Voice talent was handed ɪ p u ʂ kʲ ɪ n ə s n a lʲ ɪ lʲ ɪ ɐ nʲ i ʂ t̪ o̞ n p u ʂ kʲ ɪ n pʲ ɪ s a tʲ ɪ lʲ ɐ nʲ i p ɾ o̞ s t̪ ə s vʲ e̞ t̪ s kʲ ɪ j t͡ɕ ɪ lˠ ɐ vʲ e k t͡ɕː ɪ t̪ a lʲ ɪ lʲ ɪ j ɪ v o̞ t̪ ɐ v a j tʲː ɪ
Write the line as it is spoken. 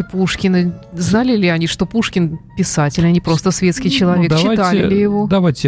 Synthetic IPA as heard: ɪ p u ʂ kʲ ɪ n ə z n a lʲ ɪ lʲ ɪ ɐ nʲ i ʂ t̪ o̞ p u ʂ kʲ ɪ n pʲ ɪ s a tʲ ɪ lʲ ɐ nʲ i p ɾ o̞ s t̪ ə s vʲ e̞ t̪ s kʲ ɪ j t͡ɕ ɪ lˠ ɐ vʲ e k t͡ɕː ɪ t̪ a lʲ ɪ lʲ ɪ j ɪ v o̞ d̪ ɐ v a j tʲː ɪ